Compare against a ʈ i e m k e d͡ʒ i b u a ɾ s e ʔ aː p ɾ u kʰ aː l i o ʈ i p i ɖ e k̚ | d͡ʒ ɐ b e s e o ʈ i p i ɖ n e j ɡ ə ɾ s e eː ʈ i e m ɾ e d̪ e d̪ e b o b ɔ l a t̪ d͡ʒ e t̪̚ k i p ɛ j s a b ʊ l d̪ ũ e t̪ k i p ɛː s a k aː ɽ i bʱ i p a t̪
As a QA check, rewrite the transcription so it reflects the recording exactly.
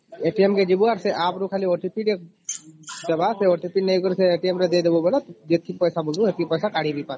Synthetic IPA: e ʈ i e m k e d͡ʒ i b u a ɾ s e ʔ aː p ɾ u kʰ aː l i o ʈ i p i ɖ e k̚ | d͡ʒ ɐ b a s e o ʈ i p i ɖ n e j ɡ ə ɾ s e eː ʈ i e m ɾ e d̪ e d̪ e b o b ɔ l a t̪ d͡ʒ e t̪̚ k i p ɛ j s a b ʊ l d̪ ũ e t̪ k i p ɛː s a k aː ɽ i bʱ i p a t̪